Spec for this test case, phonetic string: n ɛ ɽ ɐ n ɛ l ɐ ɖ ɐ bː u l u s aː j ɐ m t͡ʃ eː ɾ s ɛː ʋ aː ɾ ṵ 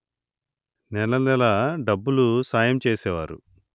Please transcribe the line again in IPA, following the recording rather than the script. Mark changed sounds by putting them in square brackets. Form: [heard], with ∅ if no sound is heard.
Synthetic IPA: n ɛ [l] ɐ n ɛ l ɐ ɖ ɐ bː u l u s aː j ɐ m t͡ʃ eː [∅] s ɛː ʋ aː ɾ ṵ